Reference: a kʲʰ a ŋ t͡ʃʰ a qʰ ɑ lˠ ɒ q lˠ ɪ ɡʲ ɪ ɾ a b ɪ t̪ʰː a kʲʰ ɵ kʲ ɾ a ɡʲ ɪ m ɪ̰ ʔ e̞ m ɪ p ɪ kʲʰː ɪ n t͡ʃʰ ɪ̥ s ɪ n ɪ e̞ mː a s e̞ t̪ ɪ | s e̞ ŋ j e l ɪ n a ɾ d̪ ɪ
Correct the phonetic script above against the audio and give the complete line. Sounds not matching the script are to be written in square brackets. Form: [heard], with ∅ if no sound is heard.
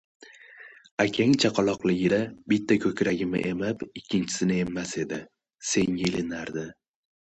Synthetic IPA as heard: a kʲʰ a ŋ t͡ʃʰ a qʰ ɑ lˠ ɒ q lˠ ɪ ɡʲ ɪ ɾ a b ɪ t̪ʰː a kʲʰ ɵ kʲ ɾ a ɡʲ ɪ m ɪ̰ ʔ e̞ m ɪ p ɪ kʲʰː ɪ n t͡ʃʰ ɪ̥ s ɪ n ɪ e̞ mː a s e̞ [d̪] ɪ | s e̞ ŋ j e l ɪ n a ɾ d̪ ɪ